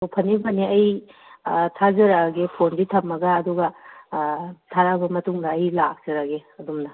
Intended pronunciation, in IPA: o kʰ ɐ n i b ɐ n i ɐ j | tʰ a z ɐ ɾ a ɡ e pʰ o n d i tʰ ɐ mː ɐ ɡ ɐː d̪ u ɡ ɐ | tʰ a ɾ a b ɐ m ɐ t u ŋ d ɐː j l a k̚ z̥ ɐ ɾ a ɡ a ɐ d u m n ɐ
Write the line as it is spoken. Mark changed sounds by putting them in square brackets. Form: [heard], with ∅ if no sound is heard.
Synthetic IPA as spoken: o [pʰ] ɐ n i b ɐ n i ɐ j | tʰ a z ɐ ɾ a ɡ e pʰ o n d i tʰ ɐ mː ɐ ɡ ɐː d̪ u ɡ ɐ | tʰ a ɾ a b ɐ m ɐ t u ŋ d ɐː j l a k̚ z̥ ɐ ɾ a ɡ [e] ɐ d u m n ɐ

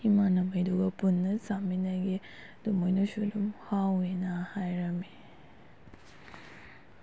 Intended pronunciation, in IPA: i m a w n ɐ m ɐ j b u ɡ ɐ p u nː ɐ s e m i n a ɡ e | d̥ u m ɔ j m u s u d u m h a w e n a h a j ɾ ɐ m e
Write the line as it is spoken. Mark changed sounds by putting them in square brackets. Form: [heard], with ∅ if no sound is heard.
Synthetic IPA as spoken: i m a [∅] n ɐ m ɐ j [d] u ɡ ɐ p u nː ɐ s [a] m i n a ɡ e | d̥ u m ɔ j [n] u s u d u m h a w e n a h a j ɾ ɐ m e

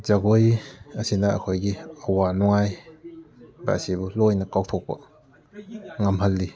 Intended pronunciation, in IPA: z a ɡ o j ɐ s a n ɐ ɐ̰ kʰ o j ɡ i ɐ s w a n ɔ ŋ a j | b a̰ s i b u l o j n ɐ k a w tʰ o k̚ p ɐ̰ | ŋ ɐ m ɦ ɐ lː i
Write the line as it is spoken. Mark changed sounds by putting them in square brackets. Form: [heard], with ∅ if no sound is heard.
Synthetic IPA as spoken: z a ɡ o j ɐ s [i] n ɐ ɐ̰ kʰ o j ɡ i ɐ [∅] w a n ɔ ŋ a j | b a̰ s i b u l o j n ɐ k a w tʰ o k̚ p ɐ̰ | ŋ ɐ m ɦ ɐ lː i

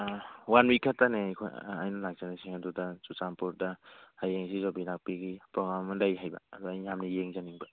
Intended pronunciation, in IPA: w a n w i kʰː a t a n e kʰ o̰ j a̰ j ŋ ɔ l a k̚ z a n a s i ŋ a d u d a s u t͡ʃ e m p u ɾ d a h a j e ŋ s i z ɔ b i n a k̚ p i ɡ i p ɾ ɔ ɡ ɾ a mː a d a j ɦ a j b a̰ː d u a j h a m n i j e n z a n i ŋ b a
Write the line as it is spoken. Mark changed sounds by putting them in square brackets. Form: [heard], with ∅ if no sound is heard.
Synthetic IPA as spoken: w a n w i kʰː a t a n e kʰ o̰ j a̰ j [n] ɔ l a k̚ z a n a s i ŋ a d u d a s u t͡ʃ [a] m p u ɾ d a h a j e ŋ s i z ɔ b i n a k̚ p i ɡ i p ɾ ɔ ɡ ɾ a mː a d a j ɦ a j b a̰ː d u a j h a m n i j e [ŋ] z a n i ŋ b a

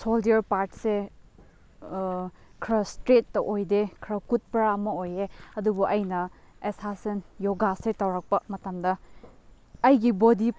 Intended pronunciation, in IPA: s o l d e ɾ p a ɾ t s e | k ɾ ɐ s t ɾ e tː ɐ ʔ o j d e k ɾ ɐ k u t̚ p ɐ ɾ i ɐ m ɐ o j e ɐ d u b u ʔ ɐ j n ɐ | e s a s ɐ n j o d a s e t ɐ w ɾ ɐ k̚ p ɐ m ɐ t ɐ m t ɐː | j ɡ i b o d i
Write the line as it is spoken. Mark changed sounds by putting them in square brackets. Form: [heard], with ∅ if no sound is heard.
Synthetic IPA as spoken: s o l d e ɾ p a ɾ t s e | [kʰ] ɾ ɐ s t ɾ e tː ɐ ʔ o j d e [kʰ] ɾ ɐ k u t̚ p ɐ ɾ [a] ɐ m ɐ o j e ɐ d u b u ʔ ɐ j n ɐ | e s a s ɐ n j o [ɡ] a s e t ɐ w ɾ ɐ k̚ p ɐ m ɐ t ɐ m [d] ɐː | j ɡ i b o d i

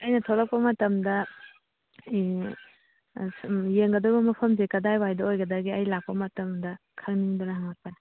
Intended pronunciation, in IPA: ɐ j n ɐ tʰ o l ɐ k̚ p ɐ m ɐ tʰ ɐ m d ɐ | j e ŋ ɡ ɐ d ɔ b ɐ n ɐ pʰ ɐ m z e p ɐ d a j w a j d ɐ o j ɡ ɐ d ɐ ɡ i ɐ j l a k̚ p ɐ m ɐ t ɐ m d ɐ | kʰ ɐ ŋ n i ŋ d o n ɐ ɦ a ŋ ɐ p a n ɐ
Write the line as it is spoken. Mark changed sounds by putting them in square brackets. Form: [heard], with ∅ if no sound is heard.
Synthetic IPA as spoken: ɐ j n ɐ tʰ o l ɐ k̚ p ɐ m ɐ [t] ɐ m d ɐ | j e ŋ ɡ ɐ d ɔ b ɐ [m] ɐ pʰ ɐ m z e [k] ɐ d a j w a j d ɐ o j ɡ ɐ d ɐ ɡ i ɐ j l a k̚ p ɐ m ɐ t ɐ m d ɐ | kʰ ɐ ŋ n i ŋ d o n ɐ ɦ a ŋ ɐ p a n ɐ

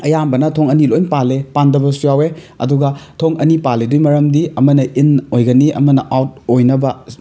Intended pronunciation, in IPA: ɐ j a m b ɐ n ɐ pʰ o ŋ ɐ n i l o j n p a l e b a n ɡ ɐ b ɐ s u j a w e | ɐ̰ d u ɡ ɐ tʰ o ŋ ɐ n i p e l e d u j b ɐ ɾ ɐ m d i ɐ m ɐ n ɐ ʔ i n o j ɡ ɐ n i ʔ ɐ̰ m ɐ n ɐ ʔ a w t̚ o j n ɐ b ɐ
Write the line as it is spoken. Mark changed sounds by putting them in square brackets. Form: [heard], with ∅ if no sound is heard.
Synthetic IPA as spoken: ɐ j a m b ɐ n ɐ [tʰ] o ŋ ɐ n i l o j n p a l e [p] a n [d] ɐ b ɐ s u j a w e | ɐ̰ d u ɡ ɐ tʰ o ŋ ɐ n i p [a] l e d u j [m] ɐ ɾ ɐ m d i ɐ m ɐ n ɐ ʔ i n o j ɡ ɐ n i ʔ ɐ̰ m ɐ n ɐ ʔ a w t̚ o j n ɐ b ɐ

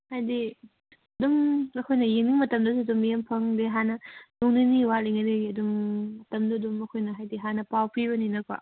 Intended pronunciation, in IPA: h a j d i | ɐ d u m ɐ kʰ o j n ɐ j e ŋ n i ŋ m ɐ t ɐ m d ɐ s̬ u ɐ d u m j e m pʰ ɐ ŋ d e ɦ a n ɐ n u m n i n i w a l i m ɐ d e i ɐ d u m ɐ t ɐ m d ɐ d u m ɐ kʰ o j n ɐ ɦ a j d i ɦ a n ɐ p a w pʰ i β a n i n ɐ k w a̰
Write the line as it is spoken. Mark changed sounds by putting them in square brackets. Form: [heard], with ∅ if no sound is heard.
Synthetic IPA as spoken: h a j d i | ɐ d u m ɐ kʰ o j n ɐ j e ŋ n i ŋ m ɐ t ɐ m d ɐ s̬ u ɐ d u m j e m pʰ ɐ ŋ d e ɦ a n ɐ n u [ŋ] n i n i w a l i [ŋ] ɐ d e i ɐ d u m ɐ t ɐ m d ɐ d u m ɐ kʰ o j n ɐ ɦ a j d i ɦ a n ɐ p a w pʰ i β [ɐ] n i n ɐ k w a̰

